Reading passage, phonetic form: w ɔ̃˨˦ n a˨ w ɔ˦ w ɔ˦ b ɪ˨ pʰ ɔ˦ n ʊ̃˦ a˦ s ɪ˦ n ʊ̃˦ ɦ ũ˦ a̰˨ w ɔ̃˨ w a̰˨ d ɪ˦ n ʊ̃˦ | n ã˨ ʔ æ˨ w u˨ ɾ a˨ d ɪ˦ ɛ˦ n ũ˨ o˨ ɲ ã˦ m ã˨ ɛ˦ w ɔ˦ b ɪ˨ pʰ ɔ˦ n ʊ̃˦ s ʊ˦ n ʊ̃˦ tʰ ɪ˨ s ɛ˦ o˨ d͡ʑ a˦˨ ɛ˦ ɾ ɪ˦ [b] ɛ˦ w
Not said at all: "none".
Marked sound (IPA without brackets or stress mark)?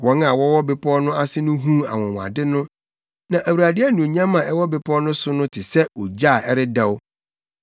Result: d